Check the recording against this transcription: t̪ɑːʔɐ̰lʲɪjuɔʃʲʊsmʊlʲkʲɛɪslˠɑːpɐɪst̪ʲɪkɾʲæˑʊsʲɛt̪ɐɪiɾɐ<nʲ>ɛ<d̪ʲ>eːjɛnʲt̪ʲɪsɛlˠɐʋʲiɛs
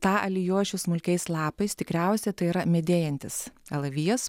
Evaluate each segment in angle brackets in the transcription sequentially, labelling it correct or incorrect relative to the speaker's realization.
incorrect, correct

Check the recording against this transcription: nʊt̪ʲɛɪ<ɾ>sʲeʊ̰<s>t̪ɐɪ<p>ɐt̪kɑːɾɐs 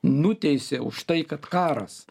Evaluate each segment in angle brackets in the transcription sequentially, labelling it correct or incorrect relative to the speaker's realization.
incorrect, incorrect, incorrect

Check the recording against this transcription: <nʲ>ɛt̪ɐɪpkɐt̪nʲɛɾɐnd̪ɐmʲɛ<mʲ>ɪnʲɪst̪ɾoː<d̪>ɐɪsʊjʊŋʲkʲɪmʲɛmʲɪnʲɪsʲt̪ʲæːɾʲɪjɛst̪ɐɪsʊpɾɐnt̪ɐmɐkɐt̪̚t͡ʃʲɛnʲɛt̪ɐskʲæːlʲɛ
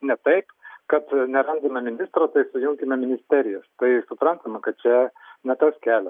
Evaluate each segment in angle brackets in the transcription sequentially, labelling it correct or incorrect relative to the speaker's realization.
correct, correct, incorrect

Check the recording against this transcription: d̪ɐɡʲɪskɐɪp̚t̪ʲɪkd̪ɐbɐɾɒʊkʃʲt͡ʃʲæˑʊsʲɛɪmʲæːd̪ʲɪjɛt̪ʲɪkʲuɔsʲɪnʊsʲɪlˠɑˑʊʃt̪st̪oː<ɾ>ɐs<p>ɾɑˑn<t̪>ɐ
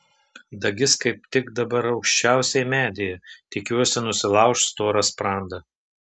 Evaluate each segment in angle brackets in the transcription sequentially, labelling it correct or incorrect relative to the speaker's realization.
correct, correct, incorrect

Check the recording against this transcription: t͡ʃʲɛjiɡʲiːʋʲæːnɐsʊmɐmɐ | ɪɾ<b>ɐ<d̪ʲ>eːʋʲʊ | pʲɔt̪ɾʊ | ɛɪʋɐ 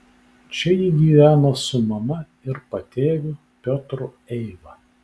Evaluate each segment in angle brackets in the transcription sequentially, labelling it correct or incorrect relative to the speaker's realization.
incorrect, incorrect

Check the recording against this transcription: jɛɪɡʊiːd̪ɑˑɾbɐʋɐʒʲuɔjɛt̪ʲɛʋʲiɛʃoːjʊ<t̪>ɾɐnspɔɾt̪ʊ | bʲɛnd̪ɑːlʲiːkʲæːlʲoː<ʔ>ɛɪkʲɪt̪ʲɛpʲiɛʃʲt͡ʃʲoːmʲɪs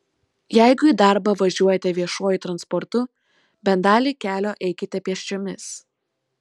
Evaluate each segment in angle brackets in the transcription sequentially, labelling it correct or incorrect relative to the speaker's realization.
correct, correct

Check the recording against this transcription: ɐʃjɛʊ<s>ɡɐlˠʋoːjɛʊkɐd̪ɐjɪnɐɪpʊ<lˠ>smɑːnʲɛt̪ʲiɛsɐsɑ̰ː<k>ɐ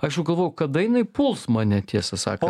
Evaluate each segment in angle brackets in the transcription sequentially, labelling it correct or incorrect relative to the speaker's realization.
incorrect, correct, correct

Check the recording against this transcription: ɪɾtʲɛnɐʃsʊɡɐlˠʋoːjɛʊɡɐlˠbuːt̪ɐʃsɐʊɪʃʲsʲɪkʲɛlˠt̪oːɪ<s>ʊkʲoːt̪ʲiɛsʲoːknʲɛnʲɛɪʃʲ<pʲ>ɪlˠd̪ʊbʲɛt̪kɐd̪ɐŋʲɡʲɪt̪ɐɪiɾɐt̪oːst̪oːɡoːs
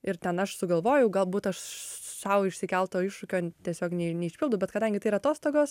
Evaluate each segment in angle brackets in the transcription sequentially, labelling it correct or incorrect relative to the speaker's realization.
incorrect, correct

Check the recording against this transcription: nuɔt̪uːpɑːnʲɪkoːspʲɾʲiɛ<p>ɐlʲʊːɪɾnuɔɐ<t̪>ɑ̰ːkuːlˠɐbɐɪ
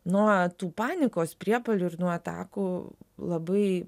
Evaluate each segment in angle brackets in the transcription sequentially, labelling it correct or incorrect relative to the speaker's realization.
correct, correct

